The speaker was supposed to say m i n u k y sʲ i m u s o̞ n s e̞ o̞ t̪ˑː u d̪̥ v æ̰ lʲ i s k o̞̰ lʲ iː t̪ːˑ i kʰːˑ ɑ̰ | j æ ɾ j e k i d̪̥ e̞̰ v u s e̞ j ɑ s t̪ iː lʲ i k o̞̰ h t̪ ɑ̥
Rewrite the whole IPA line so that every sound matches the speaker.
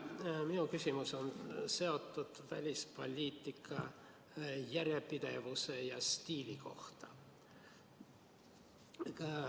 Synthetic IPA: m i n u k y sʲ i m u s o̞ n s e̞ o̞ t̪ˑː u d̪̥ v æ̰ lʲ i s p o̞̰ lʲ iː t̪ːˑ i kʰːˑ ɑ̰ | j æ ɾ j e p i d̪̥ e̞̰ v u s e̞ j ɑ s t̪ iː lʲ i k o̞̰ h t̪ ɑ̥